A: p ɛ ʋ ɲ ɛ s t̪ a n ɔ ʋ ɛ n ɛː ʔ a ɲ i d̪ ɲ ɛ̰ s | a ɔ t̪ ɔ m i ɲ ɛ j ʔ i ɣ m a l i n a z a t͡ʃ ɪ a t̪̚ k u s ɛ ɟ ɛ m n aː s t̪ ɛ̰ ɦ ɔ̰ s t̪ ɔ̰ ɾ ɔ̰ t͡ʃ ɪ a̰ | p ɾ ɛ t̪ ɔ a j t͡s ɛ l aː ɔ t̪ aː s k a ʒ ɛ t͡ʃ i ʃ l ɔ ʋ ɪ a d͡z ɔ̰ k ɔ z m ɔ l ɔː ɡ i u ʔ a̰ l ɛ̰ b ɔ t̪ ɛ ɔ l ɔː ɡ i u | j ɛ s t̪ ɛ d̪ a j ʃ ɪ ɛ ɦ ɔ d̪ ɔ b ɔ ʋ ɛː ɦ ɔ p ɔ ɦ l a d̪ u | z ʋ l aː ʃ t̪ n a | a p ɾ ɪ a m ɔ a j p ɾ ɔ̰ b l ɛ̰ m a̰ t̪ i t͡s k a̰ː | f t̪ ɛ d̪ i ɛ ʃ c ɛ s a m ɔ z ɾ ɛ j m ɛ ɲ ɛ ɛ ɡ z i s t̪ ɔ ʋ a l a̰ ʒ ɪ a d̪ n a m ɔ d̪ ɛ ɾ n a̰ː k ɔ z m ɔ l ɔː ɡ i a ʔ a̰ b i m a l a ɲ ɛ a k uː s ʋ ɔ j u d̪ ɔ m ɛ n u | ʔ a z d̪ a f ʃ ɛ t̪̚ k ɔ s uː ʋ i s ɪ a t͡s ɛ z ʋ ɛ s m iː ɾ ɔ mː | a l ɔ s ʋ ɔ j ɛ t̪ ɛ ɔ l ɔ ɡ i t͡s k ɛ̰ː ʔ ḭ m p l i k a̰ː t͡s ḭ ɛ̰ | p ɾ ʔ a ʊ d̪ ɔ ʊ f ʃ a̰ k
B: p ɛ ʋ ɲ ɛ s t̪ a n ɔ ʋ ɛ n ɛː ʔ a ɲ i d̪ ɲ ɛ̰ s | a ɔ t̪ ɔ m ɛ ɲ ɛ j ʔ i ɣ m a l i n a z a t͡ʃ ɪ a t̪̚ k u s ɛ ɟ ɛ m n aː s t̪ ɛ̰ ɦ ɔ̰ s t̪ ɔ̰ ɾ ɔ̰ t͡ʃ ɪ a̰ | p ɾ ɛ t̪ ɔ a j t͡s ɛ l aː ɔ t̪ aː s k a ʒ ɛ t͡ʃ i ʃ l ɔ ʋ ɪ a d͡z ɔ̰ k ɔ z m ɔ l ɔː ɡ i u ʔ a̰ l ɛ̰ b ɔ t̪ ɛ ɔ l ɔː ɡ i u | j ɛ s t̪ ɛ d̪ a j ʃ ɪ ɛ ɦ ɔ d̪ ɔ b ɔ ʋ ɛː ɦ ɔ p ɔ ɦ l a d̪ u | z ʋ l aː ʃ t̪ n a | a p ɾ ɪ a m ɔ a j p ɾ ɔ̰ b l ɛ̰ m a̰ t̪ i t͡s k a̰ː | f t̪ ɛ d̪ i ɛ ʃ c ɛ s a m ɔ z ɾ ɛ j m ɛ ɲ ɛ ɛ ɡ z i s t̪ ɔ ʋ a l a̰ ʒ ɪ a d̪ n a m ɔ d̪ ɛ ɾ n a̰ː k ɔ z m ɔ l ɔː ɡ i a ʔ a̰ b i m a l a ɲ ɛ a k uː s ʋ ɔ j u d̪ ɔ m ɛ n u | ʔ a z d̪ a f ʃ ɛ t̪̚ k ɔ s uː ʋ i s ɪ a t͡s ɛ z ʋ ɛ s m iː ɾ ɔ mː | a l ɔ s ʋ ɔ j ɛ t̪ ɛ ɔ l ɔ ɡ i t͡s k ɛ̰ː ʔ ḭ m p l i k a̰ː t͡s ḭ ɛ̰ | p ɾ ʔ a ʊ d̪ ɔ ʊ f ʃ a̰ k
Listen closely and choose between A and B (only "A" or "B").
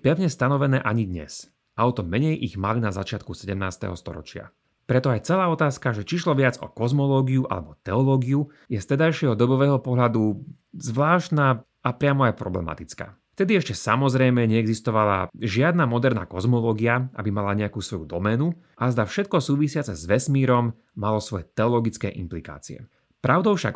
B